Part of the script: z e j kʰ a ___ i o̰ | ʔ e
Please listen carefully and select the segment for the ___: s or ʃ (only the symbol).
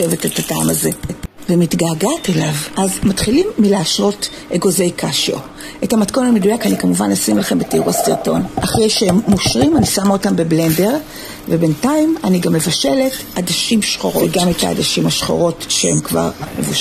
ʃ